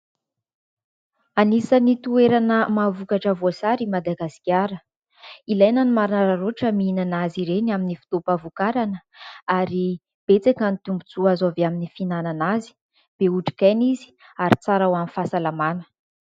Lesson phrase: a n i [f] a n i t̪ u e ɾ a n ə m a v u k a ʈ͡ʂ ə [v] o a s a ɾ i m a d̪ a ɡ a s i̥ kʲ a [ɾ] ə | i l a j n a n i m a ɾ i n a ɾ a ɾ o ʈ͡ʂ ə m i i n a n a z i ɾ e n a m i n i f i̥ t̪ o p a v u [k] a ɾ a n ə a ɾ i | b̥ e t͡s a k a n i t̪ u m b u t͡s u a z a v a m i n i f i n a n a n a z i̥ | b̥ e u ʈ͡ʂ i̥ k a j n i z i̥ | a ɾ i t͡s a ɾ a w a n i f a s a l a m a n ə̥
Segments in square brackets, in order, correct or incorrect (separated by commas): incorrect, correct, correct, correct